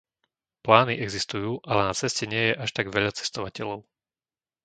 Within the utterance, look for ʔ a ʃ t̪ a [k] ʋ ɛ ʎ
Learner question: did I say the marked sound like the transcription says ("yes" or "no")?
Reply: no